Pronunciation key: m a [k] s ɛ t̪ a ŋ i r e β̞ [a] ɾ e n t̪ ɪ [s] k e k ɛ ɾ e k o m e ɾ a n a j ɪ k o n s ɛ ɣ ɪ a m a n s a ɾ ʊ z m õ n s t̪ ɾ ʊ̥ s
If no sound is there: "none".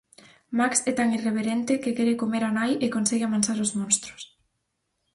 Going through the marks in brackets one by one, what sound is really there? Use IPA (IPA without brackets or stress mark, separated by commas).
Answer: k, e, none